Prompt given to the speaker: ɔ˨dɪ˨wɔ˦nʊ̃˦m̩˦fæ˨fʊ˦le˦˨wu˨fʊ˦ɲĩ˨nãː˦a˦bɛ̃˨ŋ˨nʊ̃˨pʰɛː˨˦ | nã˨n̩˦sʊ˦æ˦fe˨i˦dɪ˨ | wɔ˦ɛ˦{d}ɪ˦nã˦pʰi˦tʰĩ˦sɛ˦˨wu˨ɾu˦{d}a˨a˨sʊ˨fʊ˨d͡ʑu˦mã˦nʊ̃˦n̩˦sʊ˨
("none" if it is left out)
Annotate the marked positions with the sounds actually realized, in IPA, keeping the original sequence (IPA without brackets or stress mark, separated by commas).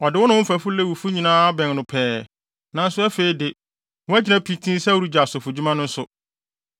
d͡ʑ, d͡ʑ